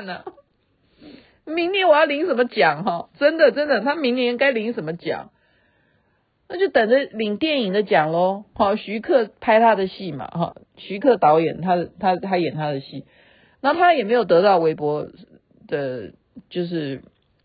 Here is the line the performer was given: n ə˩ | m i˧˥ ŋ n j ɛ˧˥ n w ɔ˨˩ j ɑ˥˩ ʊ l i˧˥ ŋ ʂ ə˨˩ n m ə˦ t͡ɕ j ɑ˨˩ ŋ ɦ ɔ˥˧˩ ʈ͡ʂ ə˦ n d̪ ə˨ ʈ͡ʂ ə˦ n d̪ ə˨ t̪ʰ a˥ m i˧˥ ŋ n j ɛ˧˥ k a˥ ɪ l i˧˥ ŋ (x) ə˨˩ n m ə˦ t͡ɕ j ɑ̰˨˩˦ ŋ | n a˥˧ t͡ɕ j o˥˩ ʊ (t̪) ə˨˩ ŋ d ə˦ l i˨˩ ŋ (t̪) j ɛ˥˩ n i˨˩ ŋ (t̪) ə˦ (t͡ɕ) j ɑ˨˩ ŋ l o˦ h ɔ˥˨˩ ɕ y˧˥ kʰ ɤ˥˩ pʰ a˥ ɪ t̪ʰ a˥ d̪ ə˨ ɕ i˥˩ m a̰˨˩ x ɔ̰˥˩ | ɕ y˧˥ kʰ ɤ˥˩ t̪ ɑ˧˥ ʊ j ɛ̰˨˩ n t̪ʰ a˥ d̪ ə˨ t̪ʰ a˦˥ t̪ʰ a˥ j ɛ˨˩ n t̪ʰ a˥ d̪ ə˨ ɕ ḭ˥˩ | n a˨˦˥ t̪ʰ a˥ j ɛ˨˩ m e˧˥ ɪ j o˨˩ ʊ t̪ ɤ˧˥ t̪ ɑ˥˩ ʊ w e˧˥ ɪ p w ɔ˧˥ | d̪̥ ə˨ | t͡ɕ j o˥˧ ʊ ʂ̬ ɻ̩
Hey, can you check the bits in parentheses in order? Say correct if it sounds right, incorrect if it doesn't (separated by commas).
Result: incorrect, correct, correct, incorrect, correct